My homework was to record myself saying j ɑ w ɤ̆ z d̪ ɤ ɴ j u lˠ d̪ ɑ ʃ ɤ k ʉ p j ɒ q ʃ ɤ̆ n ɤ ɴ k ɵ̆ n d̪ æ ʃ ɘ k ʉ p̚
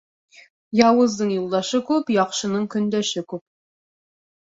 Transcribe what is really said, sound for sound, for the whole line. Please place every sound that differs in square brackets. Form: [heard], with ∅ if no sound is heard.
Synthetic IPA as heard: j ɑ w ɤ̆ z d̪ ɤ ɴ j u lˠ d̪ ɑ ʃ ɤ k ʉ p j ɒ q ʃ ɤ̆ n ɤ ɴ k ɵ̆ n d̪ æ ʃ ɘ k ʉ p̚